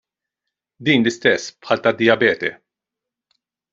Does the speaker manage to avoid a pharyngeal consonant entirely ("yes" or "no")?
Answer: no